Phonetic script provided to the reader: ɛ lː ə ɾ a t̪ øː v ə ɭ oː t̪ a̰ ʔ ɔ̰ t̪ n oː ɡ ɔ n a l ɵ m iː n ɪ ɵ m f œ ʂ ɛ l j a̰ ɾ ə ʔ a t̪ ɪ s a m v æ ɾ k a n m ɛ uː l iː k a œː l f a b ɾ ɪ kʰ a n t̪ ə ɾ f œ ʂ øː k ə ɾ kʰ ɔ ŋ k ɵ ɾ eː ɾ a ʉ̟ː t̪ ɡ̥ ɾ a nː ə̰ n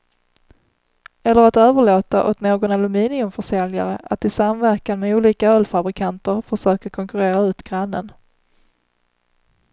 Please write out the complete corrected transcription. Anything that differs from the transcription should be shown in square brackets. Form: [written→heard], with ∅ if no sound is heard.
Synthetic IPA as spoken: ɛ lː ə ɾ a t̪ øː v ə ɭ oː t̪ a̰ ʔ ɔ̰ t̪ n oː ɡ ɔ n a l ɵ m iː n ɪ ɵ m f œ ʂ ɛ l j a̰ ɾ ə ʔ a t̪ ɪ s a m v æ ɾ k a n m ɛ uː l iː k a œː l f a b ɾ ɪ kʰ a n t̪ ə ɾ f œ ʂ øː k ə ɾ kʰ ɔ ŋ k ɵ ɾ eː ɾ a ʉ̟ː t̪ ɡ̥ ɾ a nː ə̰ n

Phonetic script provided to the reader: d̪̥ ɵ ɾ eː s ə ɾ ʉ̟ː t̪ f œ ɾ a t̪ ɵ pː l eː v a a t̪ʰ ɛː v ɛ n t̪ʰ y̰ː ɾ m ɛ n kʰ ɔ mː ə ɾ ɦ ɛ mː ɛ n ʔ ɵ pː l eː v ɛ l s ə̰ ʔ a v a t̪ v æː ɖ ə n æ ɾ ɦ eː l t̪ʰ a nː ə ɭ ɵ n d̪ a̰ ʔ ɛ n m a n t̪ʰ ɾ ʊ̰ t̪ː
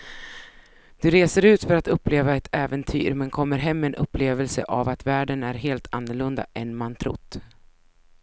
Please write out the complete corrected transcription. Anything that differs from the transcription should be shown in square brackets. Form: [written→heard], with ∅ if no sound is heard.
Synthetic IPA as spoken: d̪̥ ɵ ɾ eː s ə ɾ ʉ̟ː t̪ f œ ɾ a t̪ ɵ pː l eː v a [a→ɛ] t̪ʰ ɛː v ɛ n t̪ʰ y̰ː ɾ m ɛ n kʰ ɔ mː ə ɾ ɦ ɛ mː ɛ n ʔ ɵ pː l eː v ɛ l s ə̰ ʔ a v a t̪ v æː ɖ ə n æ ɾ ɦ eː l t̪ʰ a nː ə ɭ ɵ n d̪ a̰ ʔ ɛ n m a n t̪ʰ ɾ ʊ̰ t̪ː

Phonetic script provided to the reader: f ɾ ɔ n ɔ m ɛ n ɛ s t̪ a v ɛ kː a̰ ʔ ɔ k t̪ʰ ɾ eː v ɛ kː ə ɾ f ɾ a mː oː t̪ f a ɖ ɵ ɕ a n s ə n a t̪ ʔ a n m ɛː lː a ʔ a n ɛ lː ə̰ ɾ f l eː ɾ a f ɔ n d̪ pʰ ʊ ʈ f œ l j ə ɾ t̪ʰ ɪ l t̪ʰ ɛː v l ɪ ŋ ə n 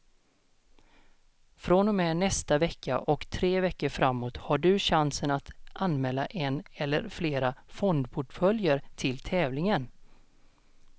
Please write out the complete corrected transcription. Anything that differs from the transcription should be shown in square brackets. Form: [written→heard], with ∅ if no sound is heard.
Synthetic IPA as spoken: f ɾ ɔ n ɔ m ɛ n ɛ s t̪ a v ɛ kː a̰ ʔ ɔ k t̪ʰ ɾ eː v ɛ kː ə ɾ f ɾ a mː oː t̪ [f→h] a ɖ ɵ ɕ a n s ə n a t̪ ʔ a n m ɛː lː a ʔ [a→ɛ] n ɛ lː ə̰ ɾ f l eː ɾ a f ɔ n d̪ pʰ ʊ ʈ f œ l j ə ɾ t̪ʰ ɪ l t̪ʰ ɛː v l ɪ ŋ ə n

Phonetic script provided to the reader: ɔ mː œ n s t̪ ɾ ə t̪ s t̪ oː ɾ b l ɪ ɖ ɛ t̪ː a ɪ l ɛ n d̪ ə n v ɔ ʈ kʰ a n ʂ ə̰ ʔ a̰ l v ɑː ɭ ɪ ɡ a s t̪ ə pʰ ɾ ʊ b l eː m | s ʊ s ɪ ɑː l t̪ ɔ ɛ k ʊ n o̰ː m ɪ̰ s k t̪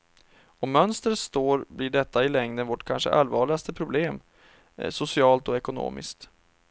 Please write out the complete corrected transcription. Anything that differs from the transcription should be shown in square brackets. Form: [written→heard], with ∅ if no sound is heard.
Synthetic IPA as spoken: ɔ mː œ n s t̪ ɾ ə t̪ s t̪ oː ɾ b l ɪ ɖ ɛ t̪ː a ɪ l ɛ [n→ŋ] d̪ ə n v ɔ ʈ kʰ a n ʂ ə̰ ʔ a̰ l v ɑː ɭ ɪ ɡ a s t̪ ə pʰ ɾ ʊ b l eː m | s ʊ s ɪ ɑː l t̪ ɔ ɛ k ʊ n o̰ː m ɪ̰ s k t̪

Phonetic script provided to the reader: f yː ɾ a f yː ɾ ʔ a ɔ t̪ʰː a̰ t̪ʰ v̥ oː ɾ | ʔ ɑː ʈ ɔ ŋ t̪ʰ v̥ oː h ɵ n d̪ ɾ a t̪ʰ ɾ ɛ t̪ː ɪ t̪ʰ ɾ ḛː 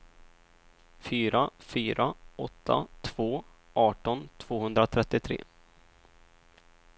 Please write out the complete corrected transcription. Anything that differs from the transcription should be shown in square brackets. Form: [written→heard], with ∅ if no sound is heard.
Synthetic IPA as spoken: f yː ɾ a f yː ɾ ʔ a ɔ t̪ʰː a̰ t̪ʰ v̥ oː [ɾ→∅] | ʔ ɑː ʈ ɔ [ŋ→n] t̪ʰ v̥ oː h ɵ n d̪ ɾ a t̪ʰ ɾ ɛ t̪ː ɪ t̪ʰ ɾ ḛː

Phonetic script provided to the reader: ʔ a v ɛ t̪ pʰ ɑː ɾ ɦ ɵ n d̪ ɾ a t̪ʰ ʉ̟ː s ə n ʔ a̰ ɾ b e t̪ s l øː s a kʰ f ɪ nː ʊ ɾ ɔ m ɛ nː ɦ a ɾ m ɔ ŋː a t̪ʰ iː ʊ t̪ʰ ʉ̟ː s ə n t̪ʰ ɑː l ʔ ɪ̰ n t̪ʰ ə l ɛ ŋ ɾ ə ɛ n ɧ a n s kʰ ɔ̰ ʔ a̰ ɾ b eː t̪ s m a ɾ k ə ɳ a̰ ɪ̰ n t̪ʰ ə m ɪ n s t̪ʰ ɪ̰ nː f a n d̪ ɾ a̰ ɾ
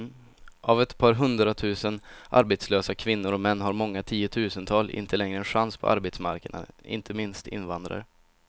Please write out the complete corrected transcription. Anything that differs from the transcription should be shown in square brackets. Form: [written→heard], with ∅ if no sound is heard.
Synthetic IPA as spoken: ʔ a v ɛ t̪ pʰ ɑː ɾ ɦ ɵ n d̪ ɾ a t̪ʰ ʉ̟ː s ə n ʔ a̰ ɾ b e t̪ s l øː s a kʰ [f→v] ɪ nː ʊ ɾ ɔ m ɛ nː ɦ a ɾ m ɔ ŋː a t̪ʰ iː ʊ t̪ʰ ʉ̟ː s ə n t̪ʰ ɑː l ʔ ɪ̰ n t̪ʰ ə l ɛ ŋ ɾ ə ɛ n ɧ a n s [kʰ→pʰ] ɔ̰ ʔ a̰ ɾ b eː t̪ s m a ɾ k ə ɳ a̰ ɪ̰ n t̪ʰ ə m ɪ n s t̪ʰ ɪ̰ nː [f→v] a n d̪ ɾ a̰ ɾ

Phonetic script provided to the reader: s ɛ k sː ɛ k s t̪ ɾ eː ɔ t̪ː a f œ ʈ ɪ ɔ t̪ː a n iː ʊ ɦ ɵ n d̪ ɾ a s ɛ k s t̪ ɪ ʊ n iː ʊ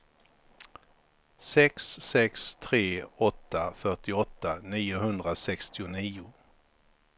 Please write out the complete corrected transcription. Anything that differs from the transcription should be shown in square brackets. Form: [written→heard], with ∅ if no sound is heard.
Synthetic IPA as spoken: s ɛ k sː ɛ k s [t̪→t̪ʰ] ɾ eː ɔ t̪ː a f œ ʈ ɪ ɔ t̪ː a n iː ʊ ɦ ɵ n d̪ ɾ a s ɛ k s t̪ ɪ ʊ n iː ʊ

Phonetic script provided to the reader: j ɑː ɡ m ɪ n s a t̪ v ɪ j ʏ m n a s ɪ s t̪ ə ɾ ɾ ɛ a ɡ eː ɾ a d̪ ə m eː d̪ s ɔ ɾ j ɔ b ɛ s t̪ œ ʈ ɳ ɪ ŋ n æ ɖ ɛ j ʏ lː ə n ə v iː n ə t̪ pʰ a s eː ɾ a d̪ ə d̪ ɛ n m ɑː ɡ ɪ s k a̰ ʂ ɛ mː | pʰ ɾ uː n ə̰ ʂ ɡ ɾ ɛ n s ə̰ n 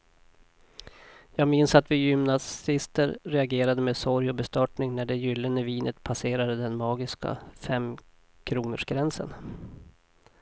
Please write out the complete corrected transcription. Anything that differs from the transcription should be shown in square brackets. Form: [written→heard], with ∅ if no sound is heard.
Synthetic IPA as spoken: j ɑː ɡ m ɪ n s a t̪ v ɪ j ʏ m n a s ɪ s t̪ ə ɾ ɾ ɛ a ɡ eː ɾ a d̪ ə m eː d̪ s ɔ ɾ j ɔ b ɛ s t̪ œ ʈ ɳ ɪ ŋ n æ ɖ ɛ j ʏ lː ə n ə v iː n ə t̪ pʰ a s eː ɾ a d̪ ə d̪ ɛ n m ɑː ɡ ɪ s k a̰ [ʂ→f] ɛ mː | [pʰ→kʰ] ɾ uː n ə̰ ʂ ɡ ɾ ɛ n s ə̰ n

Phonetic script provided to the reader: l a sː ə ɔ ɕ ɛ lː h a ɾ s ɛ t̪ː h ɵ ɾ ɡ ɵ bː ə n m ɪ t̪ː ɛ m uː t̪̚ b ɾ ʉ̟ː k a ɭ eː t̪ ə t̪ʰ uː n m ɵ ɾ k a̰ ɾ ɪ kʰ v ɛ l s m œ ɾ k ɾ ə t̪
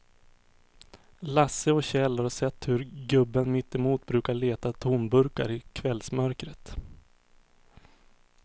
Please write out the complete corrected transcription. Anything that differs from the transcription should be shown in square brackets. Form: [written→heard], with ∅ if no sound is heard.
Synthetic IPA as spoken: l a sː ə ɔ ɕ ɛ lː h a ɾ s ɛ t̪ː h ɵ ɾ ɡ ɵ bː ə n m ɪ t̪ː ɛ m uː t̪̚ b ɾ ʉ̟ː k a ɭ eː t̪ [ə→a] t̪ʰ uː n [m→b] ɵ ɾ k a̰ ɾ ɪ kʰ v ɛ l s m œ ɾ k ɾ ə t̪

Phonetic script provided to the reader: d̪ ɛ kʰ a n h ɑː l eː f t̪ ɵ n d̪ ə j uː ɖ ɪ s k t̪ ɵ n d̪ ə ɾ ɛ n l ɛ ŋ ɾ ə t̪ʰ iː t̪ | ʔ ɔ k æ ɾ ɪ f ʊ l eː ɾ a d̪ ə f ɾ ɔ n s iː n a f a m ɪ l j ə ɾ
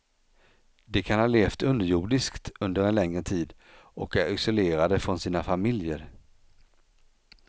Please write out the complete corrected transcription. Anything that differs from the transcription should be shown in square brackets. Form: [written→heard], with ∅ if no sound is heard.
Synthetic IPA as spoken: d̪ ɛ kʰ a n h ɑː l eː f t̪ ɵ n d̪ ə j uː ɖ ɪ s k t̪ ɵ n d̪ ə ɾ ɛ n l ɛ ŋ ɾ ə t̪ʰ iː [t̪→d̪] | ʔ ɔ k æ ɾ ɪ [f→s] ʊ l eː ɾ a d̪ ə f ɾ ɔ n s iː n a f a m ɪ l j ə ɾ

